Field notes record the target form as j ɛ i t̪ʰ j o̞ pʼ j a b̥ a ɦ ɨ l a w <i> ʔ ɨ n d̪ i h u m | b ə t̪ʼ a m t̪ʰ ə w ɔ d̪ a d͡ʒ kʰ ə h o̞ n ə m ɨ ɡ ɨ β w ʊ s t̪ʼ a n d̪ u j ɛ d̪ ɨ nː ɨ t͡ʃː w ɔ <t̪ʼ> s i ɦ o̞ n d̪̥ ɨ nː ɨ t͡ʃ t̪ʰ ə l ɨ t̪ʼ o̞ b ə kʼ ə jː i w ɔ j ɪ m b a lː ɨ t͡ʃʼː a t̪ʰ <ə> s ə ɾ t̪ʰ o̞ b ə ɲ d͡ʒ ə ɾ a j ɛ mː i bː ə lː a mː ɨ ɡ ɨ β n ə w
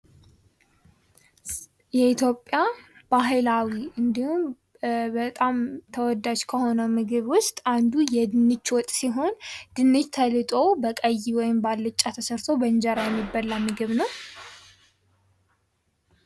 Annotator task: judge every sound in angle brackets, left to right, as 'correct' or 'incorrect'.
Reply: correct, correct, correct

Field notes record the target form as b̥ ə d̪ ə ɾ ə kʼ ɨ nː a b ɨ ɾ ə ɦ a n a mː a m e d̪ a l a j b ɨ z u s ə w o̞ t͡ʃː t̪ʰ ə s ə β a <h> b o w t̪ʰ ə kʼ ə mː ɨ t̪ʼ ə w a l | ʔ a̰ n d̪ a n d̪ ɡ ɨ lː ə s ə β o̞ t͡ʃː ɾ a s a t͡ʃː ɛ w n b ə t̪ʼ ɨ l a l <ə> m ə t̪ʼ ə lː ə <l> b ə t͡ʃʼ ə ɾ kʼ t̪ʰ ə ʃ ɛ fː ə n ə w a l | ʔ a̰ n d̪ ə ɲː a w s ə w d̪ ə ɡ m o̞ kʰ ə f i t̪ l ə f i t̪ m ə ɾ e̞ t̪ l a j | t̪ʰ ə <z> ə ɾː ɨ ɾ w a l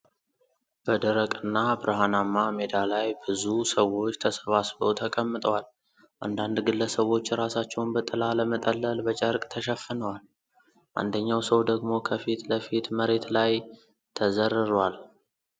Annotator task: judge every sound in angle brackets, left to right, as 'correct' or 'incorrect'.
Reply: incorrect, correct, correct, correct

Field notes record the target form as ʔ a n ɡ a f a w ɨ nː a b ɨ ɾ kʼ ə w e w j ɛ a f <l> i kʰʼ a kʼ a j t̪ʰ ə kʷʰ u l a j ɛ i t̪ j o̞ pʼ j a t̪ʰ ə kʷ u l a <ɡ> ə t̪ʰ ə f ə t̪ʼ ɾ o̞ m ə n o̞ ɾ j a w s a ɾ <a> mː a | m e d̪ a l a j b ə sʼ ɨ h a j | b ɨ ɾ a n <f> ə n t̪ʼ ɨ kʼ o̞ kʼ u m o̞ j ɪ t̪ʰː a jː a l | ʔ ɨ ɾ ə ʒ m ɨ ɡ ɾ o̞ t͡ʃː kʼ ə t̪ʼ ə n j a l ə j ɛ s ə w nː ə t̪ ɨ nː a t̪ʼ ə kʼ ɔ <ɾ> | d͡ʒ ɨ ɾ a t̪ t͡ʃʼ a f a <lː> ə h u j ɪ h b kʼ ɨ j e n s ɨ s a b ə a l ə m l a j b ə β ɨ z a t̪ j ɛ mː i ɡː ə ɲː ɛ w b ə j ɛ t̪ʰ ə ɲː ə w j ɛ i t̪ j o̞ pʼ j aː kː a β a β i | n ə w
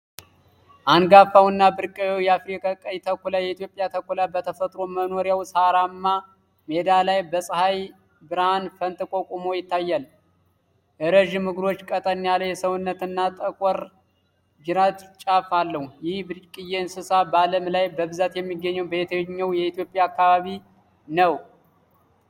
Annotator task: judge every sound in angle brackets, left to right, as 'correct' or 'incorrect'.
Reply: incorrect, incorrect, correct, correct, correct, correct

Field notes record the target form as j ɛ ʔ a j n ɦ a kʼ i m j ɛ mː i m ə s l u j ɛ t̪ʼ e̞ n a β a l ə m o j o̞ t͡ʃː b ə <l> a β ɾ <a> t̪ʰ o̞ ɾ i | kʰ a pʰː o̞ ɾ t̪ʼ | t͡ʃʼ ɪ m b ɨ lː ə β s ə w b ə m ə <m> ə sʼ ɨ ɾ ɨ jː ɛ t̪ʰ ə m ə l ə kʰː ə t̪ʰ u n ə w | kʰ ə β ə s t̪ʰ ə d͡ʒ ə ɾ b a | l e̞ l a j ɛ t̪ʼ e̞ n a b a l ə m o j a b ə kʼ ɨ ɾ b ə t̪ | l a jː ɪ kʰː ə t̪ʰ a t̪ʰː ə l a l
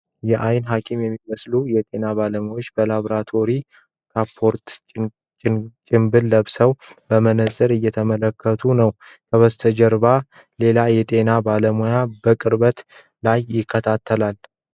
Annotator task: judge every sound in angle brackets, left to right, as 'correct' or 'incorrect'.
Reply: correct, correct, incorrect

